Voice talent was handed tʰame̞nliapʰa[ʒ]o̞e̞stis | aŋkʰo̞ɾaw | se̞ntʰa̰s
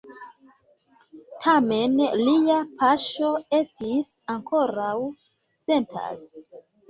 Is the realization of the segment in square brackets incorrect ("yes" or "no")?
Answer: yes